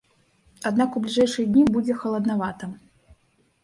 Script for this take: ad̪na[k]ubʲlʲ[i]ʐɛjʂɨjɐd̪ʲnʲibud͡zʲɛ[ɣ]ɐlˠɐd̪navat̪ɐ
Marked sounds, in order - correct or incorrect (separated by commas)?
correct, correct, incorrect